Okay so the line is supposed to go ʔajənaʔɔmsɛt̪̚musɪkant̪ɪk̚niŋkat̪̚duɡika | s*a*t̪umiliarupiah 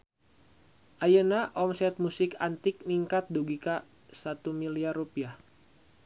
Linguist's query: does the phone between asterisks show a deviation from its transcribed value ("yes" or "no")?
no